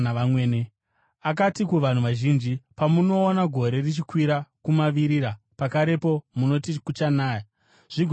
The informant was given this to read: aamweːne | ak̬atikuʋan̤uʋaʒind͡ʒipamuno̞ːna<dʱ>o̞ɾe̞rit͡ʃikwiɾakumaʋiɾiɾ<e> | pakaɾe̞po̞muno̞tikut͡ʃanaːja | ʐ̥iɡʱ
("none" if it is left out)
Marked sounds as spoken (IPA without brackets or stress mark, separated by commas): ɡʱ, a